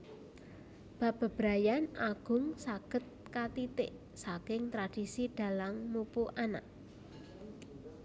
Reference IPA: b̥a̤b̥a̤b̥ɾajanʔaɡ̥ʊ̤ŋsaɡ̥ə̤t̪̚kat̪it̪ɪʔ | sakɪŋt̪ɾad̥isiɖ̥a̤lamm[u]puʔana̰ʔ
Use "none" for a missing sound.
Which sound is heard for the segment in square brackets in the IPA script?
u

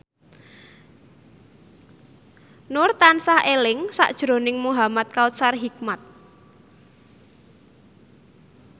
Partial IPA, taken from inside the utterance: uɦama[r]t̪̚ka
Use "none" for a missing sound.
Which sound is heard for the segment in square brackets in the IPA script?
none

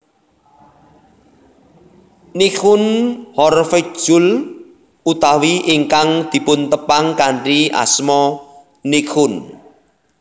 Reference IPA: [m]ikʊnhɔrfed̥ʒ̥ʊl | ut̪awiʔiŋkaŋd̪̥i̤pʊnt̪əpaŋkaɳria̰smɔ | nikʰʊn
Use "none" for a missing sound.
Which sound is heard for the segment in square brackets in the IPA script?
n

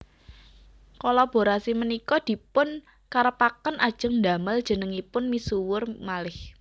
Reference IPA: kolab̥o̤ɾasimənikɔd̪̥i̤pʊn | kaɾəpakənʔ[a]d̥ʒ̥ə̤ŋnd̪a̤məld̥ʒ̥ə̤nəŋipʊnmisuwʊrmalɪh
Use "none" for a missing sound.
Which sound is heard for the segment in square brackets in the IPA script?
a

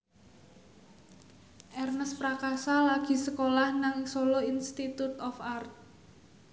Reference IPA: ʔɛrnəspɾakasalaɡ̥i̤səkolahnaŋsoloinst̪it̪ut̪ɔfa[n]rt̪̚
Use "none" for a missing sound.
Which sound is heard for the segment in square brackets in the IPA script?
none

